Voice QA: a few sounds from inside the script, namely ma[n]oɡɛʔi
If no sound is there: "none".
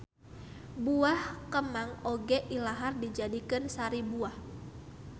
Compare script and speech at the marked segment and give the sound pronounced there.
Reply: ŋ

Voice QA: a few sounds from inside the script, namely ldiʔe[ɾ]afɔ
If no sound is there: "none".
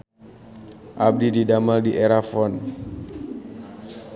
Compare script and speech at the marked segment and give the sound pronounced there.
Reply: ɾ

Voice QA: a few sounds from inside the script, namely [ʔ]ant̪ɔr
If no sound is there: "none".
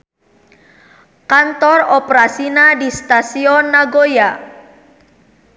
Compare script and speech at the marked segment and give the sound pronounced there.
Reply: k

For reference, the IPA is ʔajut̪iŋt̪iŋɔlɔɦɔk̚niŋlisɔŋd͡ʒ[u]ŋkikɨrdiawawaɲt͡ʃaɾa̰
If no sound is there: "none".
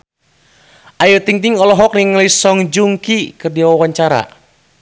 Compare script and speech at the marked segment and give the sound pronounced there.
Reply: u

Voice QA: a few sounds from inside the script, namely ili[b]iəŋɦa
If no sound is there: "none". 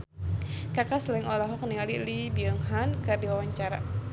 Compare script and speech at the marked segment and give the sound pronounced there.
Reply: b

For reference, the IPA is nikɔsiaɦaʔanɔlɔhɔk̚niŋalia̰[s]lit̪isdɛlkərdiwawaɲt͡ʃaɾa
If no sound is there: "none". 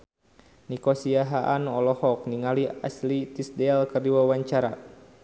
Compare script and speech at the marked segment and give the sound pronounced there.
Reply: s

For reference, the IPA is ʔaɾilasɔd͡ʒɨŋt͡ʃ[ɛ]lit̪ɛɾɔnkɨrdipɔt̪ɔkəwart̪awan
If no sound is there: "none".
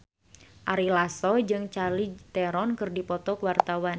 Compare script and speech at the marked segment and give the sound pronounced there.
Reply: a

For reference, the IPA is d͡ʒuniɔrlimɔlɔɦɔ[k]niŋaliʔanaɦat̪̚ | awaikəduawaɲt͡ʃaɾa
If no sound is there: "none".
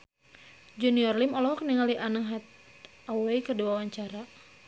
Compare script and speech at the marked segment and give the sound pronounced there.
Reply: k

